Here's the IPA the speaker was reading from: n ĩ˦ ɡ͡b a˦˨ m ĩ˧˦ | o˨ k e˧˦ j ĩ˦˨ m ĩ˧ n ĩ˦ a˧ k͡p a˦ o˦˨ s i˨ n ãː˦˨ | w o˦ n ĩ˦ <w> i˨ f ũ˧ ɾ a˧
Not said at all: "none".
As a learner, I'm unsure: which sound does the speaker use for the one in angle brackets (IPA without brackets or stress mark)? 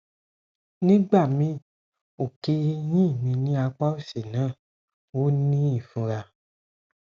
none